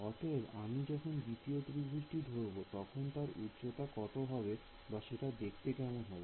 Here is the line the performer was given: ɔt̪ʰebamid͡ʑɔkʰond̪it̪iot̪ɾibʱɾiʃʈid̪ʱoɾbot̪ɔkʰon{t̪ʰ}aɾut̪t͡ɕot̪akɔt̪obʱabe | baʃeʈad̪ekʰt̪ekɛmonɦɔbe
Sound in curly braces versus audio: incorrect: t̪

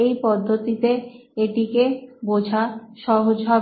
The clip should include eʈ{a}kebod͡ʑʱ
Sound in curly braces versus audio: incorrect: i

